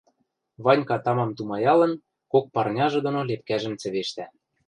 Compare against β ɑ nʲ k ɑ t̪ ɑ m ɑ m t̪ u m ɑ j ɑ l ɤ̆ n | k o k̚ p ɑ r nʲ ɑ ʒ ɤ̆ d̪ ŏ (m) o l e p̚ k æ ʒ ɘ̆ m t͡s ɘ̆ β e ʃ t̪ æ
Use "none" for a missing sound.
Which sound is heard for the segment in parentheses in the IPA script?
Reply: n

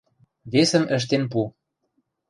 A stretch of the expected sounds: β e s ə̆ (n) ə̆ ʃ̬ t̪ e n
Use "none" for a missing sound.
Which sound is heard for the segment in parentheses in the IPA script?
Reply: m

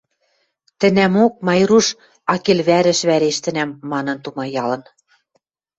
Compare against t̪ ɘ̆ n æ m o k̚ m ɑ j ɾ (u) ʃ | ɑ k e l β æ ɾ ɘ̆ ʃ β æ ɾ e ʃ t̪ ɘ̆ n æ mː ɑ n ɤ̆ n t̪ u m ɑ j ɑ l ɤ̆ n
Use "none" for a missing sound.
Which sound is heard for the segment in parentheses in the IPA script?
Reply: u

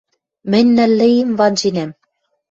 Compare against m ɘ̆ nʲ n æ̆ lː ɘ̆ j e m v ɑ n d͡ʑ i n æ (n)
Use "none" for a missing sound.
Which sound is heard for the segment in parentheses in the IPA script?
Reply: m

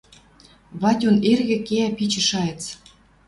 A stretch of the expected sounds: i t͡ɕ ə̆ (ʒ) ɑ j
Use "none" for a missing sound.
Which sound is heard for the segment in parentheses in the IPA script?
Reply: ʃ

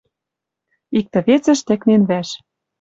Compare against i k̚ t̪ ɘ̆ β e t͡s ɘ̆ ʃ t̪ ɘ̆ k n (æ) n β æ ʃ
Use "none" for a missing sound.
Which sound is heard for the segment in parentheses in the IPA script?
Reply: e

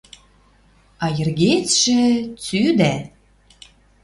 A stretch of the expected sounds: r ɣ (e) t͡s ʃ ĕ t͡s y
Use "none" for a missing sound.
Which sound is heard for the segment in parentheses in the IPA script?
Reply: e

